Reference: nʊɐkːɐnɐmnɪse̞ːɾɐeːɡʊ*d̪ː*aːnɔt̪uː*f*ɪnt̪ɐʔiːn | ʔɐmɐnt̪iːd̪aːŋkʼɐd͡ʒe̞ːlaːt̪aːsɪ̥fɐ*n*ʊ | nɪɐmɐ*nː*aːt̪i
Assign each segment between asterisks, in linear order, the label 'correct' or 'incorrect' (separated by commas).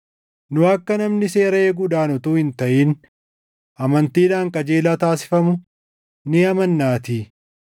incorrect, incorrect, incorrect, correct